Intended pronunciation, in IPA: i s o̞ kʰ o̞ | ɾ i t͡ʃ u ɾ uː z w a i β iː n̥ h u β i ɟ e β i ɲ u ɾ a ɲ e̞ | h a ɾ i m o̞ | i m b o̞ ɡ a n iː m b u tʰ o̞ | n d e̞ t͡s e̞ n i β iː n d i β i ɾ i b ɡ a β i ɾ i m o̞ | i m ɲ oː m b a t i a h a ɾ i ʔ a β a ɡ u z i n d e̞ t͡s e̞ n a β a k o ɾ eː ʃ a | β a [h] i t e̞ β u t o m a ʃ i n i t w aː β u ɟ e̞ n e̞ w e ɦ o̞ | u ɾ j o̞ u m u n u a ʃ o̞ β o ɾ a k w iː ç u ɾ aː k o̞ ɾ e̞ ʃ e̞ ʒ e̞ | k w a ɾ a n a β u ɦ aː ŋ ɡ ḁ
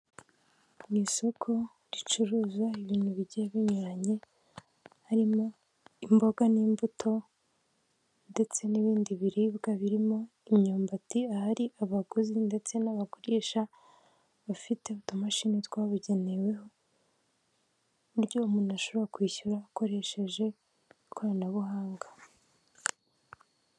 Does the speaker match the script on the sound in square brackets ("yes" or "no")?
no